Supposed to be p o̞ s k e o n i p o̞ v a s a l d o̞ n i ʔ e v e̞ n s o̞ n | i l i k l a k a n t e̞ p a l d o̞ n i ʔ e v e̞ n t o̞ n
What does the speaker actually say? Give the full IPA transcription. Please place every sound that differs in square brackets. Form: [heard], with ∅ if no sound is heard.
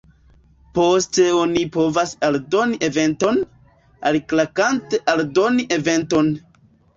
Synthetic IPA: p o̞ s [t] e o n i p o̞ v a s a l d o̞ n i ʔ e v e̞ n [t] o̞ n | [a] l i k l a k a n t e̞ [ʔ] a l d o̞ n i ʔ e v e̞ n t o̞ n